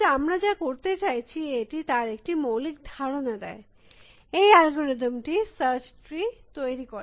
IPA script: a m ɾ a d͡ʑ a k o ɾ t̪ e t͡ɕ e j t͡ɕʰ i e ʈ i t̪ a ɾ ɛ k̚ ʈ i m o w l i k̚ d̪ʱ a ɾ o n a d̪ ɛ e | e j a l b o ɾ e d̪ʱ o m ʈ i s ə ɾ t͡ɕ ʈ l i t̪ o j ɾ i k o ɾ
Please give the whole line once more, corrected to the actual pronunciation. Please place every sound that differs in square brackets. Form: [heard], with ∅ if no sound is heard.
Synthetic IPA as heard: a m ɾ a d͡ʑ a k o ɾ t̪ e t͡ɕ [a] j t͡ɕʰ i e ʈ i t̪ a ɾ [e] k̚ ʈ i m o w l i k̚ d̪ʱ a ɾ o n a d̪ ɛ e | e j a l [ɡ] o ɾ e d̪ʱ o m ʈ i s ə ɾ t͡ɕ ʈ [ɾ] i t̪ o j ɾ i k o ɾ